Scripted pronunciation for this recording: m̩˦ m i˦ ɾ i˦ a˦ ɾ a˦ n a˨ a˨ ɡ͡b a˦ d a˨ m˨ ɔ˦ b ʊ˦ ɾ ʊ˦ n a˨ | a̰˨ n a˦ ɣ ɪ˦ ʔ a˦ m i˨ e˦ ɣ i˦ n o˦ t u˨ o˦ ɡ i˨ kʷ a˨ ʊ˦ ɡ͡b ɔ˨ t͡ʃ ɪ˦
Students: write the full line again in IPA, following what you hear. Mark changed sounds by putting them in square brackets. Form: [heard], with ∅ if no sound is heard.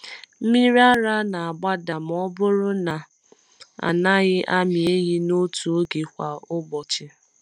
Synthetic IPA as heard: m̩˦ m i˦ ɾ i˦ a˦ ɾ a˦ n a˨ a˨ ɡ͡b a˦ d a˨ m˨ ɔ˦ b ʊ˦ ɾ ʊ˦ n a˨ | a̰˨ n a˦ ɣ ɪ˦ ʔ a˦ m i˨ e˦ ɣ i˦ n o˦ t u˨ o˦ ɡ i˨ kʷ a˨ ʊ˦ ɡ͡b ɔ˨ t͡ʃ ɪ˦